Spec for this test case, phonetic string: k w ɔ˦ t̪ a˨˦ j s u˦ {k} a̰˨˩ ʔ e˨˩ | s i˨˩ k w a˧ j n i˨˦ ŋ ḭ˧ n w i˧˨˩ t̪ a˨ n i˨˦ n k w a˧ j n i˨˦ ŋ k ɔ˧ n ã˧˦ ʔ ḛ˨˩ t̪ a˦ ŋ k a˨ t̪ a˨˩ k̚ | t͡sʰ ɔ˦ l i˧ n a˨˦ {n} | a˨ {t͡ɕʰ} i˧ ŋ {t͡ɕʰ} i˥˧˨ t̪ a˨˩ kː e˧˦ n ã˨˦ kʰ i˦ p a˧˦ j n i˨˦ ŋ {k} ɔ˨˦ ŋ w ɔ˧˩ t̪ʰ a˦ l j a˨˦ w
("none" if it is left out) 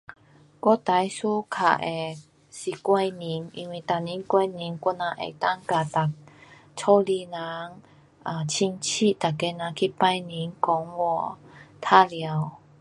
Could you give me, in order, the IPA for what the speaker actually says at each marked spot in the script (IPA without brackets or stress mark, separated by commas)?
kʰ, ŋ, t͡ɕʰ, t͡ɕʰ, k